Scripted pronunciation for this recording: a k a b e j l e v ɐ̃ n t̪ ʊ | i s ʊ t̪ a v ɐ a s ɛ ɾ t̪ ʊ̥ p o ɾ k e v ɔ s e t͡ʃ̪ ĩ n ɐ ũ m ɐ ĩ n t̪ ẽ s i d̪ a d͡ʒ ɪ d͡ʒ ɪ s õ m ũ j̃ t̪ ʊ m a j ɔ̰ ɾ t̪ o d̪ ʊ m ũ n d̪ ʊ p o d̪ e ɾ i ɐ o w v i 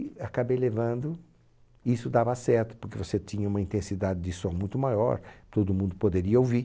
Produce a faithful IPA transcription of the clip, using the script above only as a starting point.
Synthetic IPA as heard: a k a b e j l e v ɐ̃ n d̪ ʊ | i s ʊ d̪ a v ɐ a s ɛ ɾ t̪ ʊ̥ p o ɾ k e v o s e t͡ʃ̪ ĩ ɲ ɐ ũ m ɐ ĩ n t̪ ẽ s i d̪ a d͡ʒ ɪ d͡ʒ ɪ s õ m ũ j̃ t̪ ʊ m a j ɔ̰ ɾ t̪ o d̪ ʊ m ũ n d̪ ʊ p o d̪ e ɾ i ɐ o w v i

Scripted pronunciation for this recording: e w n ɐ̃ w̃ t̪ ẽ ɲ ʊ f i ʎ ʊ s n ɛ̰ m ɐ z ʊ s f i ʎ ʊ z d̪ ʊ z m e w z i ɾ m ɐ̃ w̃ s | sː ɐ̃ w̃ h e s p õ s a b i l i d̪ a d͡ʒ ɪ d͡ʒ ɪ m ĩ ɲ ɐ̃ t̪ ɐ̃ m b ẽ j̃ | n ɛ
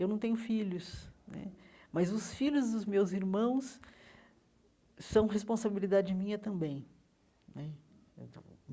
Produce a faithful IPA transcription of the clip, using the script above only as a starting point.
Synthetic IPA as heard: e w n ɐ̃ w̃ t̪ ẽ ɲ ʊ f i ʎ ʊ s n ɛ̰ m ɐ z ʊ s f i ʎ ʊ z d̪ ʊ z m e w z i ɾ m ɐ̃ w̃ s | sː ɐ̃ w̃ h e s p õ s a b i l i d̪ a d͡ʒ ɪ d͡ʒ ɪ m ĩ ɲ ɐ t̪ ɐ̃ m b ẽ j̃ | n ɛ

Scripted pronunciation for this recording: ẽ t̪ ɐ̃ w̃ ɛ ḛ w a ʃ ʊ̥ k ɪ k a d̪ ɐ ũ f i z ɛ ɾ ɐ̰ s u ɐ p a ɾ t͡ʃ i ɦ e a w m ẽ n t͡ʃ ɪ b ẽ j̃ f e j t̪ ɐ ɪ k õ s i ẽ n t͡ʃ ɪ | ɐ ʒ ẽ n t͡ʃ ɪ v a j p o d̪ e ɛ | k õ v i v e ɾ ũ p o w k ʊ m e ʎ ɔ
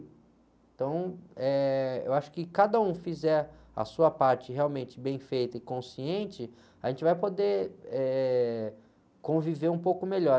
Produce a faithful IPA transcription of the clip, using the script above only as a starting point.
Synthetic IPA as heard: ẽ t̪ ɐ̃ w̃ ɛ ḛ w a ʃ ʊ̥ k ɪ k a d̪ ɐ ũ f i z ɛ ɾ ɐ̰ s u ɐ p a ɾ t͡ʃ ɪ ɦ e a w m ẽ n t͡ʃ ɪ b ẽ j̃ f e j t̪ ɐ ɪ k õ s i ẽ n t͡ʃ ɪ | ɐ ʒ ẽ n t͡ʃ ɪ v a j p o d̪ e ɛ | k õ v i v e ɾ ũ p o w k ʊ m e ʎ ɔ

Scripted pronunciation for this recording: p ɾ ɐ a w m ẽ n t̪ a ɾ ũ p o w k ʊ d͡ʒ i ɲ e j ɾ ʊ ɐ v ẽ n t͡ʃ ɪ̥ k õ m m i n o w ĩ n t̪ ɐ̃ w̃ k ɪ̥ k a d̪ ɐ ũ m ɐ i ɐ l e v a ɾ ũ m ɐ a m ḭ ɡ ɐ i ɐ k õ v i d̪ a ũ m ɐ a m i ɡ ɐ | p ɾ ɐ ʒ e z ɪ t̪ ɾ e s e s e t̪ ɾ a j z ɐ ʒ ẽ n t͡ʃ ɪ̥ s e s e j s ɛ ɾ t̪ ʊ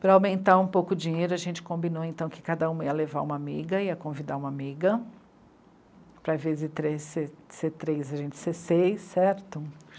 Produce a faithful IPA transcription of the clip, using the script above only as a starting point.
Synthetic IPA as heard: p ɾ ɐ a w m ẽ n t̪ a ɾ ũ p o w k ʊ d͡ʒ i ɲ e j ɾ ʊ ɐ ʒ ẽ n t͡ʃ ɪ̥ k õ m b i n o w ẽ n t̪ ɐ̃ w̃ k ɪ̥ k a d̪ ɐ ũ m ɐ i ɐ l e v a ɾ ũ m ɐ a m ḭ ɡ ɐ i ɐ k õ v i d̪ a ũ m ɐ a m i ɡ ɐ | p ɾ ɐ v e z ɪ t̪ ɾ e s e s e t̪ ɾ e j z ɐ ʒ ẽ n t͡ʃ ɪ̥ s e s e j s ɛ ɾ t̪ ʊ

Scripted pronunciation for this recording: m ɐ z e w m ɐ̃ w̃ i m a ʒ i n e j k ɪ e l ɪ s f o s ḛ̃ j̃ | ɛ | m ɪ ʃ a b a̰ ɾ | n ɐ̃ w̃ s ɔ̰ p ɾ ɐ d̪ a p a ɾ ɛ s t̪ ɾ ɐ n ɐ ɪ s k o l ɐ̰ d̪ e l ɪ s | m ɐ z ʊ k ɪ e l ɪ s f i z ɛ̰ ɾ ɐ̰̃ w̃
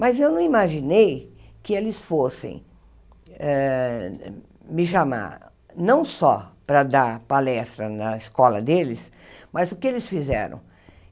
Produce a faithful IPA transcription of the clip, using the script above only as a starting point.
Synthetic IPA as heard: m ɐ z e w n ɐ̃ w̃ i m a ʒ i n e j k ɪ e l ɪ s f o s ḛ̃ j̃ | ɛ | m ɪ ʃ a m a̰ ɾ | n ɐ̃ w̃ s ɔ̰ p ɾ ɐ d̪ a p a l ɛ s t̪ ɾ ɐ n ɐ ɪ s k ɔ l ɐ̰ d̪ e l ɪ s | m ɐ z ʊ k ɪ e l ɪ s f i z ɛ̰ ɾ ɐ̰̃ w̃

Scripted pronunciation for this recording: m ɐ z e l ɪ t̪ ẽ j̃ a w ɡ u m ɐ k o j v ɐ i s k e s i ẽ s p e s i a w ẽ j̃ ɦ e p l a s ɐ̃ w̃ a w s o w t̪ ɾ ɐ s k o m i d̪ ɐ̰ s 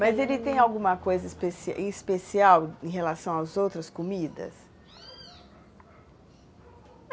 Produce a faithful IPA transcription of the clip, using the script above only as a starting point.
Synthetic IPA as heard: m ɐ z e l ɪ t̪ ẽ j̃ a w ɡ ũ m ɐ k o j z ɐ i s p e s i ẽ s p e s i a w ẽ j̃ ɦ e l a s ɐ̃ w̃ a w z o w t̪ ɾ ɐ s k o m i d̪ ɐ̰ s

